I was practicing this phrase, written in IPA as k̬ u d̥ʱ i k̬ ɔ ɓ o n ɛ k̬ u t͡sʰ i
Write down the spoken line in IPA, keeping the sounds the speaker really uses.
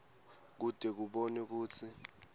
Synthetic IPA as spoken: k̬ u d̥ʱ ɛ k̬ u ɓ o n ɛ k̬ uː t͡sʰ i

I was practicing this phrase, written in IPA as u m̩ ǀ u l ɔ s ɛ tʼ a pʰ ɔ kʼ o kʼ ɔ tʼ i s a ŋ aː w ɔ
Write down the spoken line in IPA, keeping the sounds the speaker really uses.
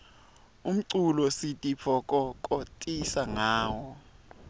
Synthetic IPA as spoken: u m̩ ǀ u l ɔ s i tʼ i pʰ ɔ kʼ ɔ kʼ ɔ tʼ i s a ŋ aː w ɔ

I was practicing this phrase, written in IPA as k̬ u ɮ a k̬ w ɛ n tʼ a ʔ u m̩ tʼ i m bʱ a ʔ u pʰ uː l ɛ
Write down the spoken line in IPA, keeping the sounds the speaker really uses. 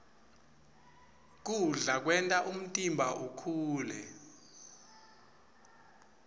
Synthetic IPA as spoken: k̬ u ɮ a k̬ w ɛ n tʼ a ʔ u m̩ tʼ i m bʱ a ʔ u kʰ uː l ɛ

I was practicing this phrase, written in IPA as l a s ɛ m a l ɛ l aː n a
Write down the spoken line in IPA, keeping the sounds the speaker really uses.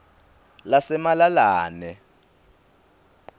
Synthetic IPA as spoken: l a s ɛ m a l a l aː n ɛ

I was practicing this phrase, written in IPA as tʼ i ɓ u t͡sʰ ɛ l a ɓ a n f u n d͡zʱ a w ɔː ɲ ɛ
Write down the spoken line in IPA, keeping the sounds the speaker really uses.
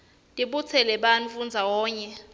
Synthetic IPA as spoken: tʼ i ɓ u t͡sʰ ɛ l ɛ ɓ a n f u n d͡zʱ a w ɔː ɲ ɛ

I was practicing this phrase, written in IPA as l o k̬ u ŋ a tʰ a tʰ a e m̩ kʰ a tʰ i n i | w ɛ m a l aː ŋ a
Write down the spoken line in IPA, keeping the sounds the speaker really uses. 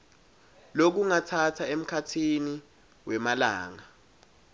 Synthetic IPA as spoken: l o k̬ u ŋ a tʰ a tʰ a e m̩ kʰ a tʰ i n i | w ɛ m a l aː ŋ a

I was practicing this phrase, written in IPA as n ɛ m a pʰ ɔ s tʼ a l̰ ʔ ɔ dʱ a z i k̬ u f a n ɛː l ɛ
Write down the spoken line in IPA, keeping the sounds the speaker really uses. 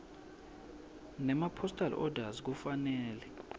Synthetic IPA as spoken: n ɛ m a pʰ ɔ s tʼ a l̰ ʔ ɔ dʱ a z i k̬ u f a n ɛː l ɛ

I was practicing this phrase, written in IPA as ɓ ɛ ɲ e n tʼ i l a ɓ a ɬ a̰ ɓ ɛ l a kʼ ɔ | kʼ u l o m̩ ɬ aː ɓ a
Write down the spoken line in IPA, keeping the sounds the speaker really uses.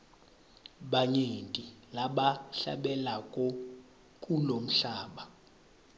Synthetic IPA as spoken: ɓ a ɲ e n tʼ i l a ɓ a ɬ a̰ ɓ ɛ l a kʼ ɔ | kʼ u l o m̩ ɬ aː ɓ a

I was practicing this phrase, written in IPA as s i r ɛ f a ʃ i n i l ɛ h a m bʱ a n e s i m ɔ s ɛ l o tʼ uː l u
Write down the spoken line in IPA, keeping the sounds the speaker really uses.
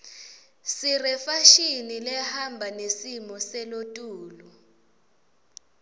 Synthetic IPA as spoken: s i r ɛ f a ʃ i n i l ɛ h a m bʱ a n e s i m ɔ s ɛ l o tʼ uː l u

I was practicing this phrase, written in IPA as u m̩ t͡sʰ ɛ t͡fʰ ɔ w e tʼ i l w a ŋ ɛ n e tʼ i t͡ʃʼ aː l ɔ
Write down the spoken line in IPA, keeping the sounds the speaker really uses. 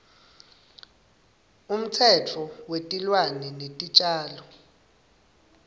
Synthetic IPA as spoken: u m̩ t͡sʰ ɛ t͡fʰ ɔ w e tʼ i l w a n ɛ n e tʼ i t͡ʃʼ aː l ɔ

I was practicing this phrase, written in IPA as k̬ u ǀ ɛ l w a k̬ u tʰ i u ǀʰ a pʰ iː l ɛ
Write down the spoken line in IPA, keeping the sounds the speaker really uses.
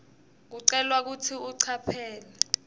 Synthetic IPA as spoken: k̬ u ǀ ɛ l w a k̬ u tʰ i u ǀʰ a pʰ ɛː l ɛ

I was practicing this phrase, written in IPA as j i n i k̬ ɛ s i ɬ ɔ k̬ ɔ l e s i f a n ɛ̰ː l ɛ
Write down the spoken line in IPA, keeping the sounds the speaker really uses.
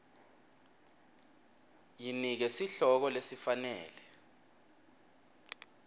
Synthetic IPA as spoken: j i n i k̬ ɛ s i ɬ ɔ k̬ ɔ l e s i f a n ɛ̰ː l ɛ

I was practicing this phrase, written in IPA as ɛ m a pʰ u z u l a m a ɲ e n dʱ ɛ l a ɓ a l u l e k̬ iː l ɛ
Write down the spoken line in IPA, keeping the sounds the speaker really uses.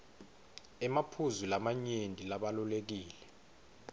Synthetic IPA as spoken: ɛ m a pʰ u z u l a m a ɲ e n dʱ i l a ɓ a l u l e k̬ iː l ɛ

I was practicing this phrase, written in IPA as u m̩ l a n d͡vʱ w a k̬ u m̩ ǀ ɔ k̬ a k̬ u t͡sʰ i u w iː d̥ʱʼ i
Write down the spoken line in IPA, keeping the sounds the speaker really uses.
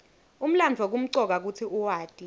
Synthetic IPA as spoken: u m̩ l a n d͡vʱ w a k̬ u m̩ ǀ ɔ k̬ a k̬ u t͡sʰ i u w aː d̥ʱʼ i

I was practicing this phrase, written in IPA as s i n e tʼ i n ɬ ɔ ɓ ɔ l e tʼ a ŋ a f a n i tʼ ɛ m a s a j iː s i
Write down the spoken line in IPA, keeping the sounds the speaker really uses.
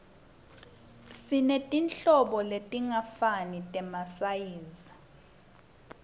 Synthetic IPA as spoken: s i n e tʼ i n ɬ ɔ ɓ ɔ l e tʼ i ŋ a f a n i tʼ ɛ m a s a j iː z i

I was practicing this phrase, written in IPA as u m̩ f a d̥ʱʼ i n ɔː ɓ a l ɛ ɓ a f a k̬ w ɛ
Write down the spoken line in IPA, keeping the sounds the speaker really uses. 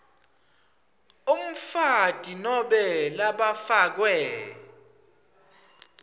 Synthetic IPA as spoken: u m̩ f a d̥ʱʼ i n ɔ ɓ ɛ l a ɓ a f a k̬ w ɛ

